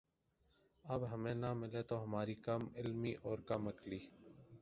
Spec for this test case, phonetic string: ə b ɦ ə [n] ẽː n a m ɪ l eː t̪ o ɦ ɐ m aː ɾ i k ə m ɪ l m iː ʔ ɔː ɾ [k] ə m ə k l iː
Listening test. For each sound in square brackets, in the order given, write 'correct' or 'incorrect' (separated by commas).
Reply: incorrect, correct